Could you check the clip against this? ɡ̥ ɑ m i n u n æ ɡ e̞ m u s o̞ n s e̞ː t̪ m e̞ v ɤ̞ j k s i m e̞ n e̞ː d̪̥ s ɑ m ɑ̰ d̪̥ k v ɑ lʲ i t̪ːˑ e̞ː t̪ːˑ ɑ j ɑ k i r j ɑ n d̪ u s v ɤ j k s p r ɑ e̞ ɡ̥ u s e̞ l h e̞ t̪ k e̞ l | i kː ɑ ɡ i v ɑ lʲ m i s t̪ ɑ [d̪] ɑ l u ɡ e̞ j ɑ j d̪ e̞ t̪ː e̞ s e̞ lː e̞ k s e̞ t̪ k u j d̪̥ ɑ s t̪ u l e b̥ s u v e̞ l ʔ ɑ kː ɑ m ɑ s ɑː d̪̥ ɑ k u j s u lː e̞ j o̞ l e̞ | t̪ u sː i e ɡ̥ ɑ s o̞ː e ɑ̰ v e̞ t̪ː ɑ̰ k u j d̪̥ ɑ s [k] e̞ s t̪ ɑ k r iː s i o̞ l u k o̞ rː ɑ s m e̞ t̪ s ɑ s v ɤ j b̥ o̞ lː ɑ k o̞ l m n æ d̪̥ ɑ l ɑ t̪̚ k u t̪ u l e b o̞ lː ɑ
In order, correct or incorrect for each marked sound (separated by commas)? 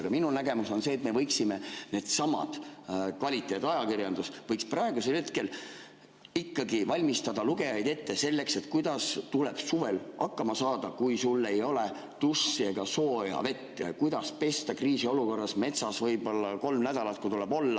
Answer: correct, incorrect